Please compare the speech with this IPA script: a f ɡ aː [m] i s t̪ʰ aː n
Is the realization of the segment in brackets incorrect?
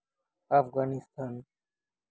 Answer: yes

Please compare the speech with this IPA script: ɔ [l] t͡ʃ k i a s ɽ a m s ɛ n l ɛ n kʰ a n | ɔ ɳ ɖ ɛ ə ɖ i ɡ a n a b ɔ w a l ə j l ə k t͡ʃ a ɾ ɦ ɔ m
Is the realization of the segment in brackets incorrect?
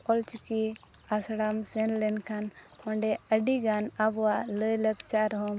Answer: no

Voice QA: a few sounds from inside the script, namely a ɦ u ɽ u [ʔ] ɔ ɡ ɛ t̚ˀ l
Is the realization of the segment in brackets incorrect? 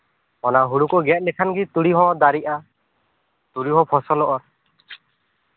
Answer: yes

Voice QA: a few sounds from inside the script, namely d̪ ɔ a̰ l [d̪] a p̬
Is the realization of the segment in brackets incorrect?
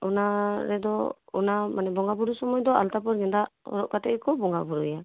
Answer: yes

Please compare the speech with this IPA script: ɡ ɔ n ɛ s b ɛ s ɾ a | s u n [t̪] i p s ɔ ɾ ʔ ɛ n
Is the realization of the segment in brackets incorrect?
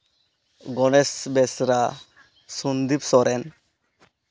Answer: yes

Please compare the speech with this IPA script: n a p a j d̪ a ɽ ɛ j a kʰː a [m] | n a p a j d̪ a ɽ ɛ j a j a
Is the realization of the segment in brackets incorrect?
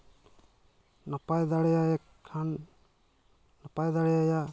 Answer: yes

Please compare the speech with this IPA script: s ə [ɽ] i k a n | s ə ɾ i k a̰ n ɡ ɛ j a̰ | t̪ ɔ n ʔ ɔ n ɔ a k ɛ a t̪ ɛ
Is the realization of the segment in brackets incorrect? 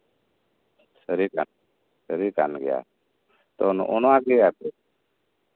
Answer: yes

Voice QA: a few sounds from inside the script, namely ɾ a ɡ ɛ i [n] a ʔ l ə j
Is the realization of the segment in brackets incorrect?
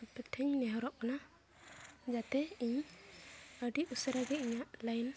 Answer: yes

